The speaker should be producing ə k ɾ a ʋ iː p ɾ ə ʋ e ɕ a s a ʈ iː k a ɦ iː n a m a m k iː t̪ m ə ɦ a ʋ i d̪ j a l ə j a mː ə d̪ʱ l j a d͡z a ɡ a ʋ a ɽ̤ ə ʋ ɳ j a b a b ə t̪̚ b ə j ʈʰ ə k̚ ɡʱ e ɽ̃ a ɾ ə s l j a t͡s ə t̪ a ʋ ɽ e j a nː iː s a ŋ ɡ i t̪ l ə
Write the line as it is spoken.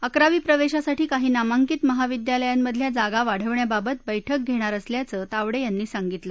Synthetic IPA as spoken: ə k ɾ a ʋ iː p ɾ ə ʋ e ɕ a s a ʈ iː k a ɦ iː n a m a ŋ k iː t̪ m ə ɦ a ʋ i d̪ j a l ə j a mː ə d̪ʱ l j a d͡z a ɡ a ʋ a ɽ̤ ə ʋ ɳ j a b a b ə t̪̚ b ə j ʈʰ ə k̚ ɡʱ e ɽ̃ a ɾ ə s l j a t͡s ə t̪ a ʋ ɽ e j a nː iː s a ŋ ɡ i t̪ l ə

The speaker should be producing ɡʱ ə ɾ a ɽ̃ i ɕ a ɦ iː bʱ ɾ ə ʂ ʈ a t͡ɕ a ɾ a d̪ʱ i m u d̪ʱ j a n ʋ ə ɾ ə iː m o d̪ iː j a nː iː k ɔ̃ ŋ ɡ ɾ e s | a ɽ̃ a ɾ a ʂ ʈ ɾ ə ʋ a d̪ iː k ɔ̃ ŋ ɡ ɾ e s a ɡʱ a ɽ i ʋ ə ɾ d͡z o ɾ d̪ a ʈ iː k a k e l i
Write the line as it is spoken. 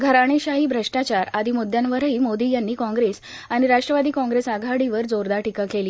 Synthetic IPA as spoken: ɡʱ ə ɾ a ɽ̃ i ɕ a ɦ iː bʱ ɾ ə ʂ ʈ a t͡ɕ a ɾ a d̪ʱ i m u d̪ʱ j a n ʋ ə ɾ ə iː m o d̪ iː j a nː iː k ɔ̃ ŋ ɡ ɾ e s | a ɽ̃ i ɾ a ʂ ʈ ɾ ə ʋ a d̪ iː k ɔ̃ ŋ ɡ ɾ e s a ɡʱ a ɽ i ʋ ə ɾ d͡z o ɾ d̪ a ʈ i k a k e l i

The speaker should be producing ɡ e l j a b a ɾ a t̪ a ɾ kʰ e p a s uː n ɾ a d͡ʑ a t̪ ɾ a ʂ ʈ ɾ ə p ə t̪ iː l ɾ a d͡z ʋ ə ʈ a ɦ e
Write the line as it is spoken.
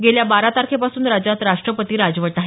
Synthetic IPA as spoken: ɡ e l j a b a ɾ a t̪ a ɾ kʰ e p a s uː n ɾ a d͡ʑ a t̪ ɾ a ʂ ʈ ɾ ə p ə t̪ iː ɾ a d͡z ʋ ə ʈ a ɦ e

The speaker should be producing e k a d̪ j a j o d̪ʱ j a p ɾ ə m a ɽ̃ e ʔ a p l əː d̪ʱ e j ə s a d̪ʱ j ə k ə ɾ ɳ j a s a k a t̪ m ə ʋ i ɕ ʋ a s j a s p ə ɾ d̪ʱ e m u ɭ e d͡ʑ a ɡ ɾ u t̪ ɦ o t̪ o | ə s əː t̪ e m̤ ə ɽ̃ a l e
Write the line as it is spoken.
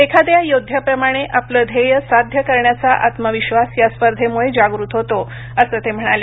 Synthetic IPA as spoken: e kʰ a d̪ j a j o d̪ʱ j a p ɾ ə m a ɽ̃ e ʔ a p l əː d̪ʱ e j ə s a d̪ʱ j ə k ə ɾ ɳ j a t͡s a ʔ a t̪ m ə ʋ i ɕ ʋ a s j a s p ə ɾ d̪ʱ e m u ɭ e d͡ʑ a ɡ ɾ u t̪ ɦ o t̪ o | ə s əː t̪ e m̤ ə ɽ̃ a l e

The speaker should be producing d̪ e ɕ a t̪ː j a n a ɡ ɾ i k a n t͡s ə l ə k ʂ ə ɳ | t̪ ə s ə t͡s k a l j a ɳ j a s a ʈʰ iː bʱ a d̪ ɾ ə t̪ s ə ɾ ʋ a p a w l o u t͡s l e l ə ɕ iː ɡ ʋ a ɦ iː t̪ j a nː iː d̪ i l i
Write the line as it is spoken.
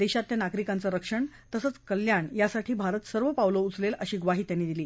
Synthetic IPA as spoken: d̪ e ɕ a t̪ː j a n a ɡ ɾ i k a n t͡s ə ɾ ə k ʂ ə ɳ | t̪ ə s ə t͡s k ə l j a ɳ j a s a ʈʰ iː bʱ a ɾ ə t̪ s ə ɾ ʋ ə p a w l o u t͡s l e l ə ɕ iː ɡ ʋ a ɦ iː t̪ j a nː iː d̪ i l iː

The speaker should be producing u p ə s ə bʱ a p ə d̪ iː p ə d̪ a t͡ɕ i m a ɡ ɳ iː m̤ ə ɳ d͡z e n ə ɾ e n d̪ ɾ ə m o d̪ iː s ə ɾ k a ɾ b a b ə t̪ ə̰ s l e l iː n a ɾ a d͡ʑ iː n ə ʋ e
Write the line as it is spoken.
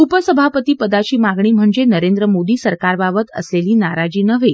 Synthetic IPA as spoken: u p ə s ə bʱ a p ə t̪ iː p ə d̪ a t͡ɕ iː m a ɡ ɳ iː m̤ ə ɳ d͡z e n ə ɾ e n d̪ ɾ ə m o d̪ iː s ə ɾ k a ɾ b a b ə t̪ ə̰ s l e l iː n a ɾ a d͡ʑ iː n ə ʋ e

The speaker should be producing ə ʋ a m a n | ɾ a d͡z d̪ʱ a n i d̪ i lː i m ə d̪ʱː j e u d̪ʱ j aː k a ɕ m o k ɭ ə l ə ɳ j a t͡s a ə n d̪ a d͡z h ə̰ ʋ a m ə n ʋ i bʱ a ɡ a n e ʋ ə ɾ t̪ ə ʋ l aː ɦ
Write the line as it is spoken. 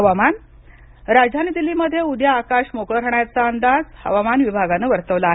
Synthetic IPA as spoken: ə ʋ a m a n | ɾ a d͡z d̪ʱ a n i d̪ i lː i m ə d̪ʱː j e u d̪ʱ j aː k a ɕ m o k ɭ ə ɾ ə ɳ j a t͡s a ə n d̪ a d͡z h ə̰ ʋ a m a n ʋ i bʱ a ɡ a n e ʋ ə ɾ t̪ ə ʋ l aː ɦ

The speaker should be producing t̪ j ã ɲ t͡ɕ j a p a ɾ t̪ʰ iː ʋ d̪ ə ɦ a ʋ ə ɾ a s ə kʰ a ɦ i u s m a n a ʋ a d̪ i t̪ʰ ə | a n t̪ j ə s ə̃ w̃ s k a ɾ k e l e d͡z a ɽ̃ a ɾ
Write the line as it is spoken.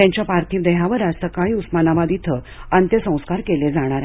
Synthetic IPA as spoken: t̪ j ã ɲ t͡ɕ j a p a ɾ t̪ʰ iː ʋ d̪ ə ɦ a ʋ ə ɾ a s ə k a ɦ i u s m a n a ʋ a d̪ i t̪ʰ ə | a n t̪ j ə s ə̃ w̃ s k a ɾ k e l e d͡z a ɽ̃ a ɾ

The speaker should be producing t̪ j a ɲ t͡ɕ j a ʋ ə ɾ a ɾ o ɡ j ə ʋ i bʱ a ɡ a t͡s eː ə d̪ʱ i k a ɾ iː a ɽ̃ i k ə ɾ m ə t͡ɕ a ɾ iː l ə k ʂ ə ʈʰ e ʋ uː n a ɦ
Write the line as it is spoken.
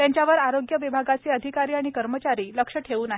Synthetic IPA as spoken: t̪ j a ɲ t͡ɕ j a ʋ ə ɾ a ɾ o ɡ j ə ʋ i bʱ a ɡ a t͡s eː ə d̪ʱ i k a ɾ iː a ɽ̃ i k ə ɾ m ə t͡ɕ a ɾ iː l ə k ʂ ə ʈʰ e ʋ uː n a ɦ

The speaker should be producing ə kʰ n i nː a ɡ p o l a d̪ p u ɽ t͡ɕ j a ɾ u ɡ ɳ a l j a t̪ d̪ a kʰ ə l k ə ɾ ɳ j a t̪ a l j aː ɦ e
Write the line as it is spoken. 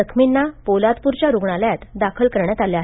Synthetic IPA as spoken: ə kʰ m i nː a p o l a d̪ p u ɾ t͡ɕ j a ɾ u ɡ ɳ a l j a t̪ d̪ a kʰ ə l k ə ɾ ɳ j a t̪ a l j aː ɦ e

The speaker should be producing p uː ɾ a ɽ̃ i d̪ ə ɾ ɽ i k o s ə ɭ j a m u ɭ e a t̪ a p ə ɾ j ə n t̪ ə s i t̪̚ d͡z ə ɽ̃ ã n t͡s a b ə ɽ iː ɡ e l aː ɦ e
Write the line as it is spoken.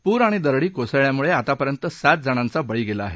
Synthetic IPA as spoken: p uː ɾ a ɽ̃ i d̪ ə ɾ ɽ iː k o s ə ɭ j a m u ɭ e a t̪ a p ə ɾ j ə n t̪ ə s a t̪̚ d͡z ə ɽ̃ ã n t͡s a b ə ɭ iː ɡ e l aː ɦ e

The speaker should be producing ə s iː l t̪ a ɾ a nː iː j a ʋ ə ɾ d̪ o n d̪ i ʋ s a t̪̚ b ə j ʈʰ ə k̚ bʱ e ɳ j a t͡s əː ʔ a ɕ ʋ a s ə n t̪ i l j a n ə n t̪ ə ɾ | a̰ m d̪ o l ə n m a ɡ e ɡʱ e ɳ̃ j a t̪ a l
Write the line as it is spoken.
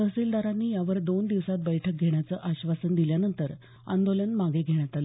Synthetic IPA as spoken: ə s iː l d̪ a ɾ a nː iː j a ʋ ə ɾ d̪ o n d̪ i ʋ s a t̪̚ b ə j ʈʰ ə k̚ ɡʱ e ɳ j a t͡s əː ʔ a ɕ ʋ a s ə n d̪ i l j a n ə n t̪ ə ɾ | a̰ n d̪ o l ə n m a ɡ e ɡʱ e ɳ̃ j a t̪ a l

